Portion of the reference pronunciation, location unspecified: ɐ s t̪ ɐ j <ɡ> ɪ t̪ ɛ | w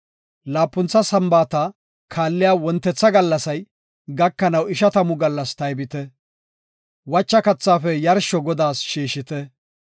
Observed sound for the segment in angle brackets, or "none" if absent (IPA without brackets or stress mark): b